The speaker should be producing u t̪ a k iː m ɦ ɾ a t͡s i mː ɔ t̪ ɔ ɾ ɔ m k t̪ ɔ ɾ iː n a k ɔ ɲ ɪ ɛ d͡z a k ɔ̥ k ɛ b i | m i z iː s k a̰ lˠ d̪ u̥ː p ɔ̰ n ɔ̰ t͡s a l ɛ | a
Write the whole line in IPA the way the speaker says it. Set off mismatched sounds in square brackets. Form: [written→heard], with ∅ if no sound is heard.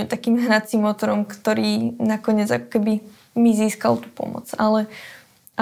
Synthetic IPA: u t̪ a k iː m ɦ ɾ a t͡s i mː ɔ t̪ ɔ ɾ ɔ m k t̪ ɔ ɾ iː n a k ɔ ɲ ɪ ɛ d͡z a k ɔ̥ k ɛ b i | m i z iː s k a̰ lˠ [d̪→t̪] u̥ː p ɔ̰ [n→m] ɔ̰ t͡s a l ɛ | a